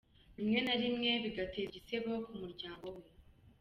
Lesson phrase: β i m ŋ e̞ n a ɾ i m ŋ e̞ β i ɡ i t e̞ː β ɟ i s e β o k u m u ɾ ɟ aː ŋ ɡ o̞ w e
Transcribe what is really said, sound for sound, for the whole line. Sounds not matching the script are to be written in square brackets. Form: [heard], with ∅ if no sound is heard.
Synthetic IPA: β i m ŋ e̞ n a ɾ i m ŋ e̞ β i ɡ [a] t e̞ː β ɟ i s e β o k u m u ɾ ɟ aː ŋ ɡ o̞ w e